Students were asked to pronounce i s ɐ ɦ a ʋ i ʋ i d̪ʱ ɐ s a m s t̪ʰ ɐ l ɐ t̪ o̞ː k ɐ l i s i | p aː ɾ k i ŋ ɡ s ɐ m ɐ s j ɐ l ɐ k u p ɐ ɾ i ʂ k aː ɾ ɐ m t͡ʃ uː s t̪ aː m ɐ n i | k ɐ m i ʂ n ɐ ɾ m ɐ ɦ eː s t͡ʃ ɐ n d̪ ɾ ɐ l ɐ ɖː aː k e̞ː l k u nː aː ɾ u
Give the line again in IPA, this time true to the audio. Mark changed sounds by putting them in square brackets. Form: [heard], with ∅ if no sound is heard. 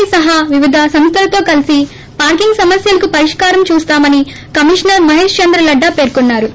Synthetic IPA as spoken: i s ɐ ɦ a ʋ i ʋ i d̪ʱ ɐ s [ɐ] m s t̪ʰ ɐ l ɐ t̪ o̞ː k ɐ l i s i | p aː ɾ k i ŋ ɡ s ɐ m ɐ s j ɐ l ɐ k u p ɐ ɾ i ʂ k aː ɾ ɐ m t͡ʃ uː s t̪ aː m ɐ n i | k ɐ m i ʂ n ɐ ɾ m ɐ ɦ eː [ʂ] t͡ʃ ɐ n d̪ ɾ ɐ l ɐ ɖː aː [p] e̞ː [ɾ] k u nː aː ɾ u

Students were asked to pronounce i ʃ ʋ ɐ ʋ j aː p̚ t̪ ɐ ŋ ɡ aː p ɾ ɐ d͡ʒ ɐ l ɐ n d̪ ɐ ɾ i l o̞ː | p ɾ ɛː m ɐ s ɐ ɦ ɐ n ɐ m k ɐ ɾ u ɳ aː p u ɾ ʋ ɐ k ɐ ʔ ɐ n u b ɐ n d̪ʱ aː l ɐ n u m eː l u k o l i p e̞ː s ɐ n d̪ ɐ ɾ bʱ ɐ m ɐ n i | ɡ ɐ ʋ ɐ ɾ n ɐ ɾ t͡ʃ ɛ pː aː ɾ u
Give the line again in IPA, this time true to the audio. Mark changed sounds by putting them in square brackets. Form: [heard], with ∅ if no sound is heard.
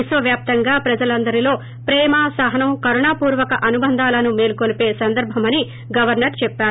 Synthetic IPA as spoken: i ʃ ʋ ɐ ʋ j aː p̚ t̪ ɐ ŋ ɡ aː p ɾ ɐ d͡ʒ ɐ l ɐ n d̪ ɐ ɾ i l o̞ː | p ɾ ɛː m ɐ s ɐ ɦ ɐ n ɐ m k ɐ ɾ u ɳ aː p [uː] ɾ ʋ ɐ k ɐ ʔ ɐ n u b ɐ n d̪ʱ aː l ɐ n u m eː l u k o l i p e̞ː s ɐ n d̪ ɐ ɾ bʱ ɐ m ɐ n i | ɡ ɐ ʋ ɐ ɾ n ɐ ɾ t͡ʃ ɛ pː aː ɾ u

